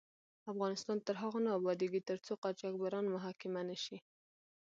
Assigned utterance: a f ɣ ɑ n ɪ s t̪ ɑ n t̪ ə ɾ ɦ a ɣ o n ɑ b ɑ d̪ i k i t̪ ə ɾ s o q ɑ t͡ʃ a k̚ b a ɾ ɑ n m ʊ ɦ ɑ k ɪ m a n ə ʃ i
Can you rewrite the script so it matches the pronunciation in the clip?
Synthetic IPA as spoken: a f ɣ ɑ n ɪ s t̪ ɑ n t̪ ə ɾ ɦ a ɣ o n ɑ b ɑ d̪ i ɡ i t̪ ə ɾ t͡s o q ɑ t͡ʃ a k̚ b a ɾ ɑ n m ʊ ɦ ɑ k ɪ m a n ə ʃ i

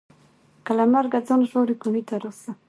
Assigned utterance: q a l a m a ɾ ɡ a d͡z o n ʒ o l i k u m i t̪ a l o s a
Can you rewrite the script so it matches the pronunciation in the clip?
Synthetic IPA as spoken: k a l a m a ɾ ɡ a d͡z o n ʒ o ɾ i k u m i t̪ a ɾ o s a

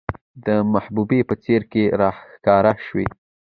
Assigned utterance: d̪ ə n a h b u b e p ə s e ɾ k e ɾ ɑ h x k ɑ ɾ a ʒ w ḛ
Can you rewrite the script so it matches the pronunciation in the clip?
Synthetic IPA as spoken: d̪ ə m a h b u b e p ə t͡s e ɾ k e ɾ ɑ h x k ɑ ɾ a ʃ w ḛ

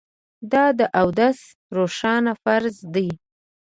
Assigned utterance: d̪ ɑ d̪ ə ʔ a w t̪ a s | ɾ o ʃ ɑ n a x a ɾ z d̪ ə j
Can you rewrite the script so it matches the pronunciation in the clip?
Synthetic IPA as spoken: d̪ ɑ d̪ ə ʔ a w d̪ a s | ɾ o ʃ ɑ n a f a ɾ z d̪ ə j

